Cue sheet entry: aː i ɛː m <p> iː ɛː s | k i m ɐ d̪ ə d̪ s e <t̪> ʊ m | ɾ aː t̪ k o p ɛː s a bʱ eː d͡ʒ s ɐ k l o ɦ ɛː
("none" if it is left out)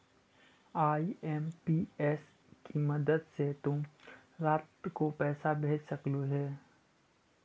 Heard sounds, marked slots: p, t̪

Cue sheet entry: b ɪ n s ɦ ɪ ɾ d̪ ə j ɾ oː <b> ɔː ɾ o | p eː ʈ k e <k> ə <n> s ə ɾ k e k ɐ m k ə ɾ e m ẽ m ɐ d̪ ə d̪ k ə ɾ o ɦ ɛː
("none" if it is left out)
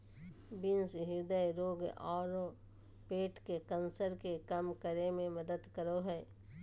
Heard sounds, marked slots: ɡ, k, n

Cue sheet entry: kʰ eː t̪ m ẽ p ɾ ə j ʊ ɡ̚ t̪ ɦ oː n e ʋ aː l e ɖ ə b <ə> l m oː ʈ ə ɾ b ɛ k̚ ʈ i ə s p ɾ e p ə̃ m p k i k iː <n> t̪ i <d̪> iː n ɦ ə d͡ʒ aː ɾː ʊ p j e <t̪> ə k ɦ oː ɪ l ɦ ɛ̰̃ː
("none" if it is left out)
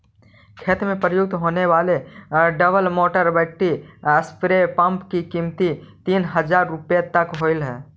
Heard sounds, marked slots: ə, m, t̪, t̪

